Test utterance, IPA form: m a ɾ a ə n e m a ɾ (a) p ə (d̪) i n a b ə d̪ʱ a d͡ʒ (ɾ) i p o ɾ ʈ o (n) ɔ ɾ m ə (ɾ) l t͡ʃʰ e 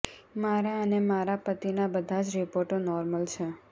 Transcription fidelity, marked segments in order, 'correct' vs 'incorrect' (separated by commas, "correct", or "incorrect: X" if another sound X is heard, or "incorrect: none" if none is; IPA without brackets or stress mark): correct, incorrect: t̪, correct, correct, incorrect: none